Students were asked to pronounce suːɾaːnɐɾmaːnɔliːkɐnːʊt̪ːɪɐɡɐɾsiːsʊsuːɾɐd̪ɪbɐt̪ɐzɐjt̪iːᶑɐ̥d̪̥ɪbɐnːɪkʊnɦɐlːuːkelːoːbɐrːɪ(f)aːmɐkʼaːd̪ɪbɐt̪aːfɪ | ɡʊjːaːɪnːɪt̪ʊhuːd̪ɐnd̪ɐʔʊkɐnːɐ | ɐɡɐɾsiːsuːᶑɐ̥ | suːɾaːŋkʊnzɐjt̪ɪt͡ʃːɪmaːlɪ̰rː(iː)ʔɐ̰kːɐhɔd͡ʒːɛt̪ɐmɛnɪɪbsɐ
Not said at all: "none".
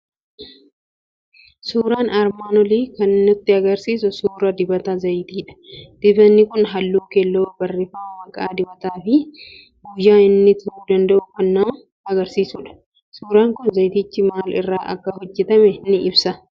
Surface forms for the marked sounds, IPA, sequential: f, aː

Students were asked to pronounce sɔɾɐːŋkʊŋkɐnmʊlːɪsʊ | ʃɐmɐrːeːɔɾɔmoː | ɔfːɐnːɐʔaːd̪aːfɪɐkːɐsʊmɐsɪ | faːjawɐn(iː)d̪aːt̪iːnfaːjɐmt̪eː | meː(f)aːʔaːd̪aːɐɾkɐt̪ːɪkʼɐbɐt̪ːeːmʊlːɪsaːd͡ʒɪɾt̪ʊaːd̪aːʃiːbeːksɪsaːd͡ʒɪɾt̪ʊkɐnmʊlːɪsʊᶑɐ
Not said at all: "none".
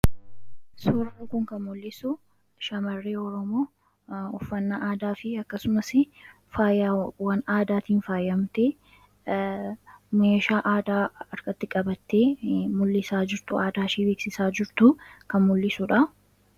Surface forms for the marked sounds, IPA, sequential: aː, ʃ

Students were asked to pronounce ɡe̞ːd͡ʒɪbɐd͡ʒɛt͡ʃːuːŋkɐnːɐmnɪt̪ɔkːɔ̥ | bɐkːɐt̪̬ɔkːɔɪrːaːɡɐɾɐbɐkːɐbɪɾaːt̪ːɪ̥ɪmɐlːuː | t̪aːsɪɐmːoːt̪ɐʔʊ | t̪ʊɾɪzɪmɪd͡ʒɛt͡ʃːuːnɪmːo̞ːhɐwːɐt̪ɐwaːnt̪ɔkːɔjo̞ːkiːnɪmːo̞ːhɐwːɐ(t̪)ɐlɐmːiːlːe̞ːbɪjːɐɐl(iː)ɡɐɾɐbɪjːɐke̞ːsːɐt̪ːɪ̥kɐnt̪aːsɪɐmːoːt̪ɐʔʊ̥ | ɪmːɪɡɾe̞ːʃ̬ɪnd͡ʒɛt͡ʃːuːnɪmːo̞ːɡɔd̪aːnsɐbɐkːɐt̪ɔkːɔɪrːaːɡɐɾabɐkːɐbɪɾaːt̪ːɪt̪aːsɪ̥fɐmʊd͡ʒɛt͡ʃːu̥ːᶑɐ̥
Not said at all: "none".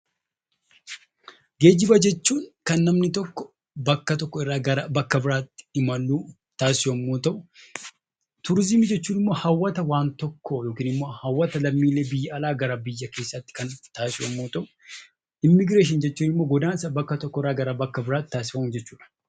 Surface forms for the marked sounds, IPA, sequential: t̪, aː

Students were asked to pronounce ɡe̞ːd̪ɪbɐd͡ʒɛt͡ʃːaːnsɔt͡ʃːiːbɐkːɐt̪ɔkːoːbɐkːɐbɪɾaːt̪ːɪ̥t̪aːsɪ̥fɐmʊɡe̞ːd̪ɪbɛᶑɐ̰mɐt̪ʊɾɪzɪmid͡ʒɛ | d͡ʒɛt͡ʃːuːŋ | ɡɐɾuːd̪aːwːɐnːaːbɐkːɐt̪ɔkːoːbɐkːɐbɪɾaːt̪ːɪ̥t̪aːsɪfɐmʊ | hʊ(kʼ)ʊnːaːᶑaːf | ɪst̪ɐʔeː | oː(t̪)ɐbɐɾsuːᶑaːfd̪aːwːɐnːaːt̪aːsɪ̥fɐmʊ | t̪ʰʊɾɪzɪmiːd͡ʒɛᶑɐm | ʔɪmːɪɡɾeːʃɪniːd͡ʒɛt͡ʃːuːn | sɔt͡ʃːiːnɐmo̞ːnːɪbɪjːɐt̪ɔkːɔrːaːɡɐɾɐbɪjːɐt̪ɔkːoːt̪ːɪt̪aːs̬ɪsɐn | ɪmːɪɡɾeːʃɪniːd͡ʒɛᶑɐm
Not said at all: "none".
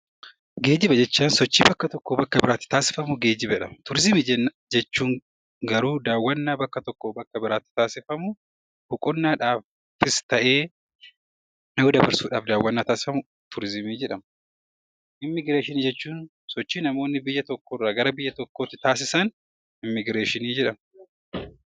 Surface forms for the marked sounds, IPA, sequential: kʼ, d̪

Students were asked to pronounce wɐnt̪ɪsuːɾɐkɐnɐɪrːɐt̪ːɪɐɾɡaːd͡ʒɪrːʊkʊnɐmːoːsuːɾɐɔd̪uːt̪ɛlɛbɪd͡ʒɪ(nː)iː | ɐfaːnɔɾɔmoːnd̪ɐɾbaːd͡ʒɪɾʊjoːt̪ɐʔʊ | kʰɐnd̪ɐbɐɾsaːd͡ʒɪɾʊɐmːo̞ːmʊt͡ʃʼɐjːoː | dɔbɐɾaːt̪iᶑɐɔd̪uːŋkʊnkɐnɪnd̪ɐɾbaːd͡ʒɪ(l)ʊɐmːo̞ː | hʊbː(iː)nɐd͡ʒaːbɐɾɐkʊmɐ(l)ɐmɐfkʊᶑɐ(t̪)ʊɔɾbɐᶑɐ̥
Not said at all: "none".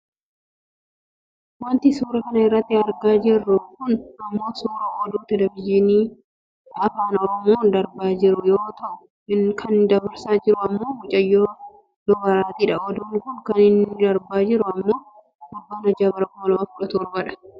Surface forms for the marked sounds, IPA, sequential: n, ɾ, aː, l, t̪

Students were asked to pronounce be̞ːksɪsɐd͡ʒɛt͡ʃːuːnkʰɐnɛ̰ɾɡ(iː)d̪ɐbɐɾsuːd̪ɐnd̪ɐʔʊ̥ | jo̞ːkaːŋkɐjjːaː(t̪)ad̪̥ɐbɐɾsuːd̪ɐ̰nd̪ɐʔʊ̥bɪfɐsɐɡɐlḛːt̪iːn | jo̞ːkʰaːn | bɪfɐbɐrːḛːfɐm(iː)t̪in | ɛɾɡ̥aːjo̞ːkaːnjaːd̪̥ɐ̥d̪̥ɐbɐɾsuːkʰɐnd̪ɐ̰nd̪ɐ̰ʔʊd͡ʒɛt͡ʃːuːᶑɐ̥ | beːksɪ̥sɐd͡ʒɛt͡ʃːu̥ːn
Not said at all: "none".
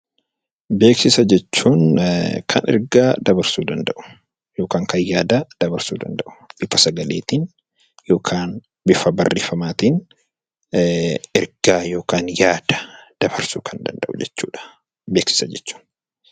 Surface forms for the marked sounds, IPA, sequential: aː, d̪, aː

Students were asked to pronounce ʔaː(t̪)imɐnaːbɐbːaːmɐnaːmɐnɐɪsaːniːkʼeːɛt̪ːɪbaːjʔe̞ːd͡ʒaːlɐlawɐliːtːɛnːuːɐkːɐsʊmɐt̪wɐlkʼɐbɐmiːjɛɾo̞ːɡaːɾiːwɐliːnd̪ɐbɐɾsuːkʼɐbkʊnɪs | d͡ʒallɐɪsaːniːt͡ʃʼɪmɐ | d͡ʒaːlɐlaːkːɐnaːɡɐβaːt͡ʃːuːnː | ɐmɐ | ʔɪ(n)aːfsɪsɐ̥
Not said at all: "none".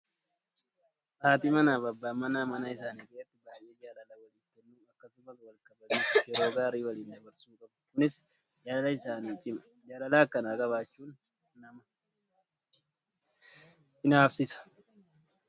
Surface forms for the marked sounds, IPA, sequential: t̪, n

